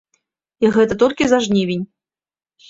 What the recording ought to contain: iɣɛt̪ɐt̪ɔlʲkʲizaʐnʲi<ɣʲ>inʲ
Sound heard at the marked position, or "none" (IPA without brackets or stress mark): vʲ